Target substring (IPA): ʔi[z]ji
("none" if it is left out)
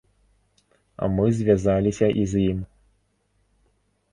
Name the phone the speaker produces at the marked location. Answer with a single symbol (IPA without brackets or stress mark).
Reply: z